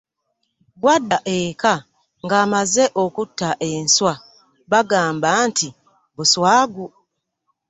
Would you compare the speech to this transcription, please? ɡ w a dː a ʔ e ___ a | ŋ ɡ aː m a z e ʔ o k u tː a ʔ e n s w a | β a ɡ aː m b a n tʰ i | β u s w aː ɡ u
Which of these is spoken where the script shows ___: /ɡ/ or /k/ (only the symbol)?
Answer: k